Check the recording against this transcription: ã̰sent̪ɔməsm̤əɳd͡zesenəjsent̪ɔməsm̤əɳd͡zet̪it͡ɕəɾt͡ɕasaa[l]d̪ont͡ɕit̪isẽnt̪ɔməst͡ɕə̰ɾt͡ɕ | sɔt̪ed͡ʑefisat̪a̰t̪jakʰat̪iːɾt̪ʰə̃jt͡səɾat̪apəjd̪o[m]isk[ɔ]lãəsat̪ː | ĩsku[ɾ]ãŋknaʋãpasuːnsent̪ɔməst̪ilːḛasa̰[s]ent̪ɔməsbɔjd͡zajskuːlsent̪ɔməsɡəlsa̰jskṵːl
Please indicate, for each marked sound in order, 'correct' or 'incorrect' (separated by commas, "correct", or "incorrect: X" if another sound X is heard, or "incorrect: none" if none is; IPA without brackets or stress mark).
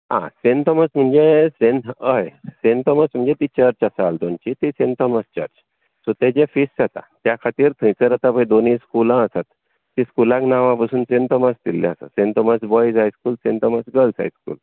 correct, incorrect: n, incorrect: u, incorrect: l, correct